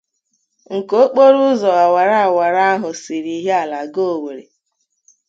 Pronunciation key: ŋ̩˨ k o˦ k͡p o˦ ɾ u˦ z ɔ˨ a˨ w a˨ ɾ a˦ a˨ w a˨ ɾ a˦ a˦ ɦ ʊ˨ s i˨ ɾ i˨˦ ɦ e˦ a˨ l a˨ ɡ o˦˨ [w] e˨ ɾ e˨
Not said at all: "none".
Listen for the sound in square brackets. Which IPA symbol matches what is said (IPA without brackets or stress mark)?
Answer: w